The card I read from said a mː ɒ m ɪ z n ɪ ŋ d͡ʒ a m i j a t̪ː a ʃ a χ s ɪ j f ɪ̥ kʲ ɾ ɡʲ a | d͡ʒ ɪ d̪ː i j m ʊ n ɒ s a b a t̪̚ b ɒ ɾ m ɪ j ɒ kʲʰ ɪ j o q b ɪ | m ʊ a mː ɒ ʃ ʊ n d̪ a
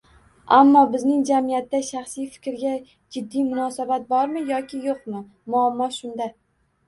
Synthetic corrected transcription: a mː ɒ b ɪ z n ɪ ŋ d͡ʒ a m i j a t̪ː a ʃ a χ s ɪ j f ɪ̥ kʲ ɾ ɡʲ a | d͡ʒ ɪ d̪ː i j m ʊ n ɒ s a b a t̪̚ b ɒ ɾ m ɪ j ɒ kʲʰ ɪ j o q m ɪ | m ʊ a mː ɒ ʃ ʊ n d̪ a

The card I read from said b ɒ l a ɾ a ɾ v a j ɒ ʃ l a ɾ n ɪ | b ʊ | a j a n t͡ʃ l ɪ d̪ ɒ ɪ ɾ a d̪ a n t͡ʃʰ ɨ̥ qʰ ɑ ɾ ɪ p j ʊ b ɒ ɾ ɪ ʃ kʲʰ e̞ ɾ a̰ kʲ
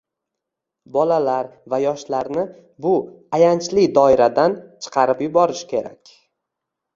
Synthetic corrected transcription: b ɒ l a l a ɾ v a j ɒ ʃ l a ɾ n ɪ | b ʊ | a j a n t͡ʃ l ɪ d̪ ɒ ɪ ɾ a d̪ a n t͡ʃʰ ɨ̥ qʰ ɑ ɾ ɪ p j ʊ b ɒ ɾ ɪ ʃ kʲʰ e̞ ɾ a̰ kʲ

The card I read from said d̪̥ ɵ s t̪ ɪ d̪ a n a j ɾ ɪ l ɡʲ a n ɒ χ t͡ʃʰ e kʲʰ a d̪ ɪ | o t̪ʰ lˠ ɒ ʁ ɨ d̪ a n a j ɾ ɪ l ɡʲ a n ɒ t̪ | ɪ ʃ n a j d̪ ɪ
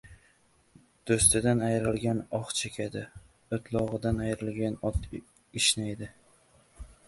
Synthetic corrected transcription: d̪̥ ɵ s t̪ ɪ d̪ a n a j ɾ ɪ l ɡʲ a n ɒ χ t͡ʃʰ e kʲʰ a d̪ ɪ | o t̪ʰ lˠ ɒ ʁ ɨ d̪ a n a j ɾ ɪ l ɡʲ a n ɒ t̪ | ɪ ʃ n a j d̪ ɪ

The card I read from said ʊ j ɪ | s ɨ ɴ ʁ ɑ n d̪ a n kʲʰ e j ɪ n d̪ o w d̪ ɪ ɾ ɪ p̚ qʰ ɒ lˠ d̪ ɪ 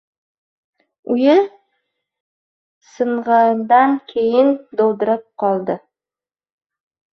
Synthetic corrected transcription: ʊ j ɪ | s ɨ ɴ ʁ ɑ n d̪ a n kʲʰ e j ɪ n d̪ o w d̪ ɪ ɾ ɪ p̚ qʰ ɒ lˠ d̪ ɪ

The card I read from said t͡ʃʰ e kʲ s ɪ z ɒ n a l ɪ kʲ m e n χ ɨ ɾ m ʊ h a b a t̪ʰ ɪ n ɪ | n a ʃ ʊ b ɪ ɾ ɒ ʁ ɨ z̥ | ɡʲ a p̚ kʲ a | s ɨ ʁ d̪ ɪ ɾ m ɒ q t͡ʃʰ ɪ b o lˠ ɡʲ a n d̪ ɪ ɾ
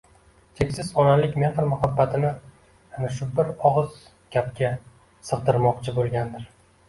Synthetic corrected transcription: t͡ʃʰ e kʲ s ɪ z ɒ n a l ɪ kʲ m e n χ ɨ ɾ m ʊ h a bː a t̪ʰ ɪ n ɪ | n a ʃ ʊ b ɪ ɾ ɒ ʁ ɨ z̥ | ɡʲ a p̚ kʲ a | s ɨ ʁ d̪ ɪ ɾ m ɒ q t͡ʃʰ ɪ b o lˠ ɡʲ a n d̪ ɪ ɾ

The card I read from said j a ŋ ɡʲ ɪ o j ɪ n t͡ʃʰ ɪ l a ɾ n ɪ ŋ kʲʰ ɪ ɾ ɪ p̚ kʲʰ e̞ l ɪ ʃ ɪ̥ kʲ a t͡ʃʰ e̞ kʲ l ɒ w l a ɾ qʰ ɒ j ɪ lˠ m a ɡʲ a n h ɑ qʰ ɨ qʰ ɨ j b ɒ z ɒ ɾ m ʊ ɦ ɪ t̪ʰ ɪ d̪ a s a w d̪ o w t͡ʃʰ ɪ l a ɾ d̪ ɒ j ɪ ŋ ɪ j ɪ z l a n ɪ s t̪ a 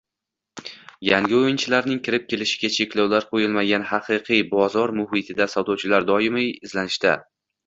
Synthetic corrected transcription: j a ŋ ɡʲ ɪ o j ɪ n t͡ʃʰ ɪ l a ɾ n ɪ ŋ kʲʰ ɪ ɾ ɪ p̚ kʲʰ e̞ l ɪ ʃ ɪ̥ ɡʲ a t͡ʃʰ e̞ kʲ l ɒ w l a ɾ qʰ o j ɪ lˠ m a ɡʲ a n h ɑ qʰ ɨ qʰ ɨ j b ɒ z ɒ ɾ m ʊ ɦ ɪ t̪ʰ ɪ d̪ a s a w d̪ ɒ w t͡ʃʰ ɪ l a ɾ d̪ ɒ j ɪ m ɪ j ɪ z l a n ɪ ʃ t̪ a

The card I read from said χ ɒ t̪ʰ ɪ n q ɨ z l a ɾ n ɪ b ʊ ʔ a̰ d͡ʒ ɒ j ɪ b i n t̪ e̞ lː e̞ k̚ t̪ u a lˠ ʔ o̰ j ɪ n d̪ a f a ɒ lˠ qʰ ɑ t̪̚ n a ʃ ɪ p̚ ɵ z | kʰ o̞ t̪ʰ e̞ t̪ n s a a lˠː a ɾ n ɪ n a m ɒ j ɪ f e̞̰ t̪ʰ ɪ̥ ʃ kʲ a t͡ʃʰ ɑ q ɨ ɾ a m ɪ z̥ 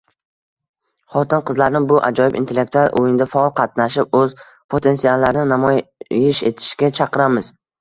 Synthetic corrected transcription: χ ɒ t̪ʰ ɪ n q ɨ z l a ɾ n ɪ b ʊ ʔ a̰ d͡ʒ ɒ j ɪ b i n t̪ e̞ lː e̞ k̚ t̪ u a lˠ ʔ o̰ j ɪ n d̪ a f a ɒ lˠ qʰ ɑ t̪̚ n a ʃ ɪ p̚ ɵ z | pʰ o̞ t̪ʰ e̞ n s i a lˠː a ɾ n ɪ n a m ɒ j ɪ ʃ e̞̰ t̪ʰ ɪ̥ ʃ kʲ a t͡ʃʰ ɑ q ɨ ɾ a m ɪ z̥

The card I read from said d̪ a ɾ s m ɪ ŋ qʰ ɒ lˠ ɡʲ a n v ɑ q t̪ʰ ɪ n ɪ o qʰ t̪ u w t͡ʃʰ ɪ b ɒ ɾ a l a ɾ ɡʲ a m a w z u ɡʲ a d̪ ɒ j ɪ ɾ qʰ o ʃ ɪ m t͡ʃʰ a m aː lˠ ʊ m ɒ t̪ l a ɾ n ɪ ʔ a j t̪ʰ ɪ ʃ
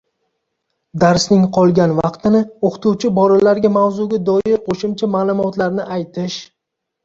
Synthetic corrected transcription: d̪ a ɾ s n ɪ ŋ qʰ ɒ lˠ ɡʲ a n v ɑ q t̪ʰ ɪ n ɪ o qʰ t̪ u w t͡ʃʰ ɪ b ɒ ɾ a l a ɾ ɡʲ a m a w z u ɡʲ a d̪ ɒ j ɪ ɾ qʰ o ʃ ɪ m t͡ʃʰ a m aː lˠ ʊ m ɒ t̪ l a ɾ n ɪ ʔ a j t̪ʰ ɪ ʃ

